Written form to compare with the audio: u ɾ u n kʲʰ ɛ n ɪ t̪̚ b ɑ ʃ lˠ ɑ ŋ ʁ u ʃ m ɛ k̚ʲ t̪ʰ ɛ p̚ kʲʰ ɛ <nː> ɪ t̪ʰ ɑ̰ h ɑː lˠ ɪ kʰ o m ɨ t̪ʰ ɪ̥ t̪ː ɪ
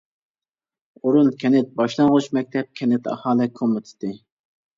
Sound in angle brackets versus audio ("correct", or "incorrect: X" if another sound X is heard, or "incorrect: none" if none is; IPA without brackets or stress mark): incorrect: n